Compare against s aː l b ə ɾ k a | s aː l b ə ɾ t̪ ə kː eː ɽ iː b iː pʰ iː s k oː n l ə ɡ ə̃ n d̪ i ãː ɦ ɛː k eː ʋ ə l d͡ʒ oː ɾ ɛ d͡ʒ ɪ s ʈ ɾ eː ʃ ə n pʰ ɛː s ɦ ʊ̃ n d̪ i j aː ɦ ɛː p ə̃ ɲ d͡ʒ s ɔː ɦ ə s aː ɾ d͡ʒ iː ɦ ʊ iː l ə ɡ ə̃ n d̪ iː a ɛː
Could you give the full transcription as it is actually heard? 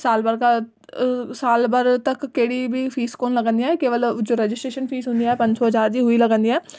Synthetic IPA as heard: s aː l b ə ɾ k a | s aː l b ə ɾ t̪ ə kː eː ɽ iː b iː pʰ iː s k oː n l ə ɡ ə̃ n d̪ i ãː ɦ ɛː k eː ʋ ə l d͡ʒ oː ɾ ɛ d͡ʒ ɪ s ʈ ɾ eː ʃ ə n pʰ iː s ɦ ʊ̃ n d̪ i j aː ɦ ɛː p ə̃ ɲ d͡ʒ s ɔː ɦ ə z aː ɾ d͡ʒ iː ɦ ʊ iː l ə ɡ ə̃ n d̪ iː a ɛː